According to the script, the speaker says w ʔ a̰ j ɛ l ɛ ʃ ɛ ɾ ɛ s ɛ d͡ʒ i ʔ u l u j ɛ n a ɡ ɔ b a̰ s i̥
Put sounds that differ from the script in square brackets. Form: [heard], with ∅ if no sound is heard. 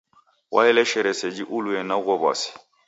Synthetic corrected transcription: w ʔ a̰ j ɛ l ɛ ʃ ɛ ɾ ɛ s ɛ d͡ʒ i ʔ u l u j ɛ n a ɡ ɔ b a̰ s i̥